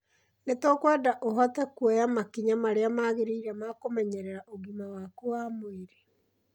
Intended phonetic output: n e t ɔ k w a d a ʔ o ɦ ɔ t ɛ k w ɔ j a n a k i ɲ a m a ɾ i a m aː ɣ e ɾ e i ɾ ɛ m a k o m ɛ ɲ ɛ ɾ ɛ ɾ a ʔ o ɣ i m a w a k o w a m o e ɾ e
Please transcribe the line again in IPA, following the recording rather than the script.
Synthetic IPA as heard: n e t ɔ k w a d a ʔ o ɦ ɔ t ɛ k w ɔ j a m a k i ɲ a m a ɾ e a m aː ɣ e ɾ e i ɾ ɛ m a k o m ɛ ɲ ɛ ɾ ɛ ɾ a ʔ o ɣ i m a w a k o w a m o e ɾ e